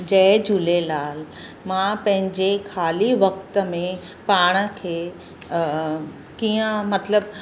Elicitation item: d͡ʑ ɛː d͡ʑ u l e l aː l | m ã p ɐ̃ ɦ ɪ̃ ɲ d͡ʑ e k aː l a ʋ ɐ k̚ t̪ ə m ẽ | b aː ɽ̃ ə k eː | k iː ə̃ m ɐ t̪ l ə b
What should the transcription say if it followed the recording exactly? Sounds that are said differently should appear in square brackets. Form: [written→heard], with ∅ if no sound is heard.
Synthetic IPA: d͡ʑ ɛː d͡ʑ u l e l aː l | m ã p ɐ̃ ɦ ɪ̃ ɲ d͡ʑ e [k→kʰ] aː l [a→i] ʋ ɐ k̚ t̪ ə m ẽ | [b→p] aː ɽ̃ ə [k→kʰ] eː | k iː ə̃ m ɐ t̪ l ə b